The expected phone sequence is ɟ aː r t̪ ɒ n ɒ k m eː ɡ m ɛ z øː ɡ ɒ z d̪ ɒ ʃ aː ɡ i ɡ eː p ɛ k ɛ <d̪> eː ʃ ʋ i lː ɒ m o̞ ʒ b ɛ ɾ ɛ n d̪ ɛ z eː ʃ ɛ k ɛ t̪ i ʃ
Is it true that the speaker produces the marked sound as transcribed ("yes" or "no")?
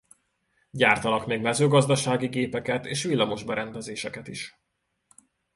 no